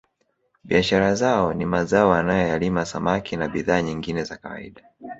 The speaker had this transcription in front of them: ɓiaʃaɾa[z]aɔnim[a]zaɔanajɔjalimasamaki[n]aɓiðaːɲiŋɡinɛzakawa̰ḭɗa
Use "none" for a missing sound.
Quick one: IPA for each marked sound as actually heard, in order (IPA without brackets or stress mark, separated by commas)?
z, a, n